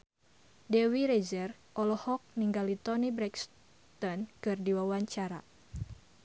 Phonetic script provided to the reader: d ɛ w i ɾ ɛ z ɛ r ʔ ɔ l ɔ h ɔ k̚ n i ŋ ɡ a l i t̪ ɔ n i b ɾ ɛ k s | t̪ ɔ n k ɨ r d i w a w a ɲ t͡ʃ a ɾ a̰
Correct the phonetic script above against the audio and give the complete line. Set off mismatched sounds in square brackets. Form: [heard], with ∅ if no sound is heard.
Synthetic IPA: d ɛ w i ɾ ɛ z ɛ r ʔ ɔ l ɔ h ɔ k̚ n i ŋ ɡ a l i t̪ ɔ n i b ɾ ɛ k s | t̪ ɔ n k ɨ r d i w a w a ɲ t͡ʃ a ɾ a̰